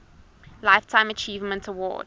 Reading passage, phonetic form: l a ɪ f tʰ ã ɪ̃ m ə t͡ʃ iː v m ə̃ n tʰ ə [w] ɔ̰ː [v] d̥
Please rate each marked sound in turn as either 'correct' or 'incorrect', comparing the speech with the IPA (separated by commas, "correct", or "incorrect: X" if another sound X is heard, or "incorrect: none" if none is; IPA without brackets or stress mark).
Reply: correct, incorrect: none